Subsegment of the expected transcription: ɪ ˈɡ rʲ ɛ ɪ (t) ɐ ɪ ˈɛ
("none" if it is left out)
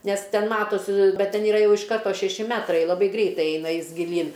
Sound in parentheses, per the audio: t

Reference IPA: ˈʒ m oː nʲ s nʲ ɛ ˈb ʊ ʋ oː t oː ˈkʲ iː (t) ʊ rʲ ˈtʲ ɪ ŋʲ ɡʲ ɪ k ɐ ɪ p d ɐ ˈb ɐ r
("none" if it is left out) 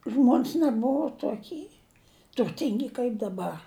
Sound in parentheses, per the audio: t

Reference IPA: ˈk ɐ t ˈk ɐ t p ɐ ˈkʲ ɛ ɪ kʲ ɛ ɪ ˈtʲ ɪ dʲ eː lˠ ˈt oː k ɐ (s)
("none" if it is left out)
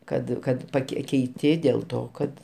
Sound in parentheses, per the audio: t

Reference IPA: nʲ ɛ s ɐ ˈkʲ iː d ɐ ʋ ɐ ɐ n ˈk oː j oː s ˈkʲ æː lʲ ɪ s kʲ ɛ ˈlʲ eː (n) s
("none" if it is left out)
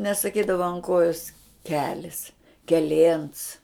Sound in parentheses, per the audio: n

